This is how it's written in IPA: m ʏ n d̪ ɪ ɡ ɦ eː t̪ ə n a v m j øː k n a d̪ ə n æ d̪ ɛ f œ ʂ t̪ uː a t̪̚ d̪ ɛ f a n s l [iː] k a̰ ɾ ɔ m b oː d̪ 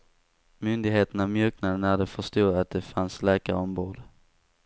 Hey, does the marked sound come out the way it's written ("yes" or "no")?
no